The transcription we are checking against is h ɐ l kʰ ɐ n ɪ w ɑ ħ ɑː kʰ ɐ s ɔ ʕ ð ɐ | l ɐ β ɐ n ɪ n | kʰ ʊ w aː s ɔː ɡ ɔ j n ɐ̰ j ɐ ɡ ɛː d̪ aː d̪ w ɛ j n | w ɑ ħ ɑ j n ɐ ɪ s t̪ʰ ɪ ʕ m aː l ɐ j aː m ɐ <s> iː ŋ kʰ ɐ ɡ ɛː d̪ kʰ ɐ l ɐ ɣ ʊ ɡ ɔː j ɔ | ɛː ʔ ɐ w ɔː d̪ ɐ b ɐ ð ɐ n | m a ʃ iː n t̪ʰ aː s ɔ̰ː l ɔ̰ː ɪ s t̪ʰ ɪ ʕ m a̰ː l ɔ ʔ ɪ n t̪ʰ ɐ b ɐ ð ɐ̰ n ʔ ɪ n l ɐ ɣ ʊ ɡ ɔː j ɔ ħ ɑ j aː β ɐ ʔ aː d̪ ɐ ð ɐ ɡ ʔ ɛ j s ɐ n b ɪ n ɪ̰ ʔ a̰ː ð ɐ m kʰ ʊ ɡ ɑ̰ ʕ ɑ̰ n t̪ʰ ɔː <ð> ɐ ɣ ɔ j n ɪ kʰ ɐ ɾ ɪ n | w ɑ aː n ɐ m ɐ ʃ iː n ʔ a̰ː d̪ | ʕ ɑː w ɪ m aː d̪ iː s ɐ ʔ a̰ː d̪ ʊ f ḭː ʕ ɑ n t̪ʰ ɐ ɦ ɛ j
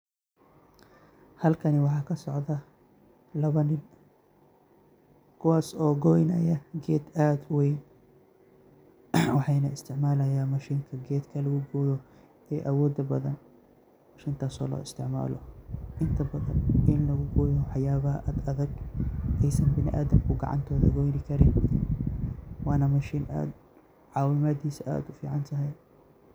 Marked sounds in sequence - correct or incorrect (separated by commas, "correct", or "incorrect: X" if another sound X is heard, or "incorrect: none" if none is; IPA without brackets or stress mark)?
incorrect: ʃ, correct